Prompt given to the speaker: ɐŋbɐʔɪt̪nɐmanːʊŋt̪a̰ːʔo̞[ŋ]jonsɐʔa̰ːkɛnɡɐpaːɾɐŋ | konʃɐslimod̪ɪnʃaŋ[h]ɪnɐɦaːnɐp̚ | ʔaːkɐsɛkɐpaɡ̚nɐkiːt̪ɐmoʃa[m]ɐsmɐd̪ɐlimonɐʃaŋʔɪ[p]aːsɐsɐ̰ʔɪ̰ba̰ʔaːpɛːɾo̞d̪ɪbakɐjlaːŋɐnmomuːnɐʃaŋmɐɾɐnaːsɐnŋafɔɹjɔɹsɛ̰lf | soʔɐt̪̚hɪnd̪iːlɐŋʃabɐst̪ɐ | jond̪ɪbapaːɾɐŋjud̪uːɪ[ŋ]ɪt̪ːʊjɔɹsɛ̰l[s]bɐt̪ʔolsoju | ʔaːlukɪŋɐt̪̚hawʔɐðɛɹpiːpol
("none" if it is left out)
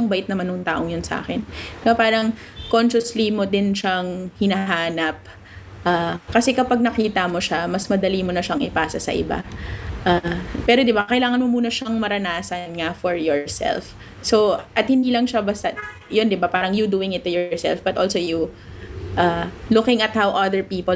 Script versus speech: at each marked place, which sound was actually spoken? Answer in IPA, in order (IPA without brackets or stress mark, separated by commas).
ŋ, h, m, p, ŋ, f